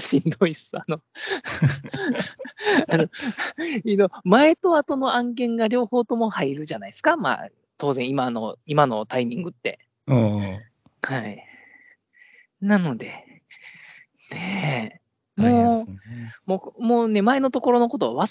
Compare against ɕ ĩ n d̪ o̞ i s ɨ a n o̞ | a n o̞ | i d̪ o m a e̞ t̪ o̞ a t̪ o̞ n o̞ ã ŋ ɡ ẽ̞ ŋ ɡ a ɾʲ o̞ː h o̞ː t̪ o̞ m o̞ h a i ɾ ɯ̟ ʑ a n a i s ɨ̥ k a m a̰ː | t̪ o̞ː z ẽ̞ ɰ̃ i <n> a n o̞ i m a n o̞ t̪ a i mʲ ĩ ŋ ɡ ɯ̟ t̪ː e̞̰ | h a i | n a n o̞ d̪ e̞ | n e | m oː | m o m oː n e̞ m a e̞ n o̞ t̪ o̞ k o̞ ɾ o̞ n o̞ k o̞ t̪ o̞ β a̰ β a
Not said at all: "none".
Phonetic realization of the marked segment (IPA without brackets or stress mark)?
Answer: m